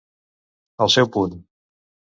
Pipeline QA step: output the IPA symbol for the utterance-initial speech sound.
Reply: ə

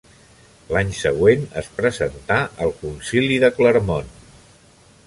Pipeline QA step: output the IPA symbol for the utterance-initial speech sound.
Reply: l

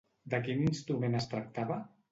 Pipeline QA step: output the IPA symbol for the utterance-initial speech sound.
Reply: d̪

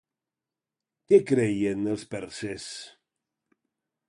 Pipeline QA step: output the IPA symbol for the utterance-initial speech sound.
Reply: k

